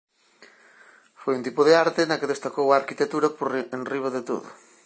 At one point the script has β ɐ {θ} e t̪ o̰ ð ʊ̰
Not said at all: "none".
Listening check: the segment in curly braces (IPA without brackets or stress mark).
ð